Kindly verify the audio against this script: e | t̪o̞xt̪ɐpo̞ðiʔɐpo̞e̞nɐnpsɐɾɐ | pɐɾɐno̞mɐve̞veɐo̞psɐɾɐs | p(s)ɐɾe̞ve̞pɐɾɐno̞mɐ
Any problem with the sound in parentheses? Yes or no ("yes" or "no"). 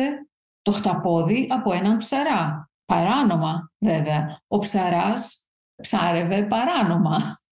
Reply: no